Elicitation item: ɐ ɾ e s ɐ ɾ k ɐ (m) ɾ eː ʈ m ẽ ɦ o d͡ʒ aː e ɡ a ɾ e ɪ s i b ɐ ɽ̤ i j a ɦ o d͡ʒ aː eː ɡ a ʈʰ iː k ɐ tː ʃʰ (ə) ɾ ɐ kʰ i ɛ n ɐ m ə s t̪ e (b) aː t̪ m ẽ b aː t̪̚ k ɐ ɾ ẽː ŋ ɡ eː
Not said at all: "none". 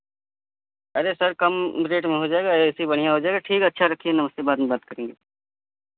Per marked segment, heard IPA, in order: m, a, b

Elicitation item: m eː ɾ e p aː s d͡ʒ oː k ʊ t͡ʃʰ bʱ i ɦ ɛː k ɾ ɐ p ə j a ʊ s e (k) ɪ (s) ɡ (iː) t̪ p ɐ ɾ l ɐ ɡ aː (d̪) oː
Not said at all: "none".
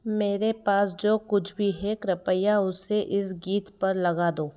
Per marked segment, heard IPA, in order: ʔ, s, iː, d̪

